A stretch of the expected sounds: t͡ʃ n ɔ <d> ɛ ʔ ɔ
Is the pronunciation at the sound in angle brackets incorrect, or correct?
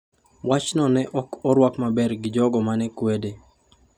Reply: incorrect